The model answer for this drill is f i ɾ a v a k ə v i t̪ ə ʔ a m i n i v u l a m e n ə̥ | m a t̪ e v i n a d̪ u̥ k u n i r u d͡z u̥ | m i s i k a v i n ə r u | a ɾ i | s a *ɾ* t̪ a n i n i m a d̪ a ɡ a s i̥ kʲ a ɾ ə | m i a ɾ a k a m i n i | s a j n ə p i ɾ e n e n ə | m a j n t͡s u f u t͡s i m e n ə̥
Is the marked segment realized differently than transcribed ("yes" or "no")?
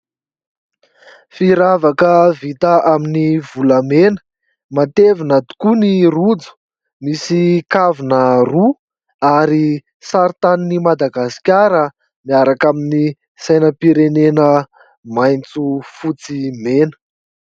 no